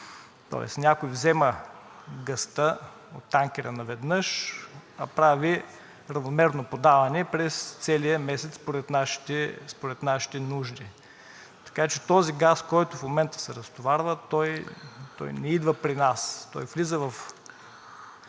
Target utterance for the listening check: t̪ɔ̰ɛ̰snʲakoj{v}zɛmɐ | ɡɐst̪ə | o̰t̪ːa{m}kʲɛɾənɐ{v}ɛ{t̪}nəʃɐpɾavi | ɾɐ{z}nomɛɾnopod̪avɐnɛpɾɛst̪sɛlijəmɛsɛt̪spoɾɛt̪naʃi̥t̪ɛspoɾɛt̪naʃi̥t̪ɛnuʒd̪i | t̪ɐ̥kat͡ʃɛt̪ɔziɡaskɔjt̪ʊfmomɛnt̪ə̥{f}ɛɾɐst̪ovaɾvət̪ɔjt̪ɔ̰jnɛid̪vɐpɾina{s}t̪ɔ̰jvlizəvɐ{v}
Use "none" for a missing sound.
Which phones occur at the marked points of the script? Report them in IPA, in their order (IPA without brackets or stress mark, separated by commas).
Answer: v, ŋ, v, d̪, v, s, s, f